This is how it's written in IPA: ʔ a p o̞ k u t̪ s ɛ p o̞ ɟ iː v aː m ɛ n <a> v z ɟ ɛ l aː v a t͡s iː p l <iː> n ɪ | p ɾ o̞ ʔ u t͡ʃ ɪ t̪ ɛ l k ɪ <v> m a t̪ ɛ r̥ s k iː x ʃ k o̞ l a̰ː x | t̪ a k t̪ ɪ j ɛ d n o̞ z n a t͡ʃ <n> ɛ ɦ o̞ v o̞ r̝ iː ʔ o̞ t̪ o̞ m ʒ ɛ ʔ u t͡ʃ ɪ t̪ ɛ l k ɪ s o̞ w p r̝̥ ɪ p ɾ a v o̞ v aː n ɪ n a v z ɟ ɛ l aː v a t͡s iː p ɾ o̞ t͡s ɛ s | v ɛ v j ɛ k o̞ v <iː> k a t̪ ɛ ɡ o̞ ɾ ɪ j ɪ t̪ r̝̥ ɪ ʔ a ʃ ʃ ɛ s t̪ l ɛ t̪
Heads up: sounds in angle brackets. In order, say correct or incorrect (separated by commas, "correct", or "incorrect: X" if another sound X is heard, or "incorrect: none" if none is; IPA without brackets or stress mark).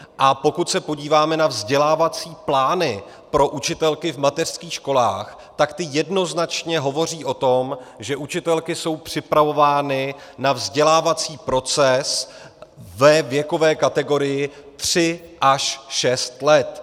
correct, incorrect: aː, correct, incorrect: ɲ, incorrect: ɛː